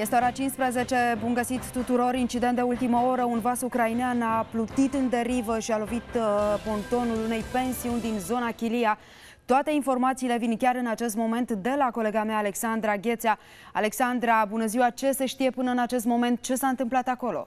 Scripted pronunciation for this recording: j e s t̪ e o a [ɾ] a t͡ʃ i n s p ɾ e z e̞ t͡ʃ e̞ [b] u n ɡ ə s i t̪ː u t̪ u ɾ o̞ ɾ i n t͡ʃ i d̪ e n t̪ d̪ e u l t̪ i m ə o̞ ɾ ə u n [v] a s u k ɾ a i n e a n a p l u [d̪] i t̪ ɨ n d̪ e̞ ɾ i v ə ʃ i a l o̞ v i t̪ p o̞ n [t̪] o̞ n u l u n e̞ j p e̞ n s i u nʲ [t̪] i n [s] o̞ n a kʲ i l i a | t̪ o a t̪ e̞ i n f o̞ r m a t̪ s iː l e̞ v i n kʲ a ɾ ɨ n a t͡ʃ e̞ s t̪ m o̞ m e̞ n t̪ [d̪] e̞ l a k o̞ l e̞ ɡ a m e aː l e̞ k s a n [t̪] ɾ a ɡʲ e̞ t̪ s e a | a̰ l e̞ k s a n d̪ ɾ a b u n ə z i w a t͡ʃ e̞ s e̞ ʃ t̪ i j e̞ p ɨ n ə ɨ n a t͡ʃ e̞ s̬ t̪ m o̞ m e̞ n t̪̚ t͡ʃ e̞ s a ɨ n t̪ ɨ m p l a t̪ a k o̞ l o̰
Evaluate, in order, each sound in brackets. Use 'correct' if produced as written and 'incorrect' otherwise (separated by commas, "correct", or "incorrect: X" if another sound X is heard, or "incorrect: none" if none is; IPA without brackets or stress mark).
correct, correct, correct, incorrect: t̪, correct, incorrect: d̪, incorrect: z, correct, incorrect: d̪